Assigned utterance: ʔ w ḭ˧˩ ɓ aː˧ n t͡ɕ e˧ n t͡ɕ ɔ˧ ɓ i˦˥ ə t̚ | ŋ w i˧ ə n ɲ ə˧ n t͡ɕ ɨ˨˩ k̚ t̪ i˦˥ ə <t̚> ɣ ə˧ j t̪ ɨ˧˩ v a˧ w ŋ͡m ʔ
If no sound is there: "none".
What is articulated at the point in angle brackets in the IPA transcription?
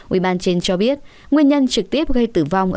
p̚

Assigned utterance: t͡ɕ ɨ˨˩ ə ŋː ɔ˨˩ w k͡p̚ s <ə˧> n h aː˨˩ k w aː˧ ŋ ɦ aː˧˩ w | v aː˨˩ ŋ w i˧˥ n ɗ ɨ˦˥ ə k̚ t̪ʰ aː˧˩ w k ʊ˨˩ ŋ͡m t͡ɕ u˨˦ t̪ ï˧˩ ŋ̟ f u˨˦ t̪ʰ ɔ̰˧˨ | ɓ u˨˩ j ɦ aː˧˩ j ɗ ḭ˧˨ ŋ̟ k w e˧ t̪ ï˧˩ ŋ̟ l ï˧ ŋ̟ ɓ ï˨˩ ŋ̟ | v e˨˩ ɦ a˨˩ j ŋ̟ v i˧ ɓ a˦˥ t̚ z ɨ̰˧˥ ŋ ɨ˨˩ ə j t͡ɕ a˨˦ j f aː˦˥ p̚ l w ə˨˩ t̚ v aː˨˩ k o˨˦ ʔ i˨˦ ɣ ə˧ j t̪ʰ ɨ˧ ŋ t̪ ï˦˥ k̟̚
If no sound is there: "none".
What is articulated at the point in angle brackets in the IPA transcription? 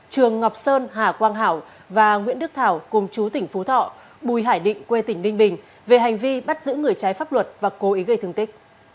əː˧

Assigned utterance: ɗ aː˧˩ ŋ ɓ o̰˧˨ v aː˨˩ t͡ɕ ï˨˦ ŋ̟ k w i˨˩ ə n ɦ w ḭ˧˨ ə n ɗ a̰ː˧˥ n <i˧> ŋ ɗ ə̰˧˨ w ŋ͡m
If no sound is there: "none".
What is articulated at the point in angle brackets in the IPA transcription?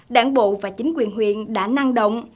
a˧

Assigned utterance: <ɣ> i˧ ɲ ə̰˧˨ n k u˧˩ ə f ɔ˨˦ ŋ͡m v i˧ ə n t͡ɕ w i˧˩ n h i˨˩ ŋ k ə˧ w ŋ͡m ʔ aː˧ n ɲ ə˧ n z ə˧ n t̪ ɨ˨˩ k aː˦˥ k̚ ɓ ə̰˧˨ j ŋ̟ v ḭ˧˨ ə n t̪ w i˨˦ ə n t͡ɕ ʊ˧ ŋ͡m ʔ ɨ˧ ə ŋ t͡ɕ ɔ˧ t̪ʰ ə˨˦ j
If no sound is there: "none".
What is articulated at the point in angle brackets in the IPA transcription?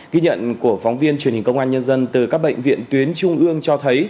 ɣ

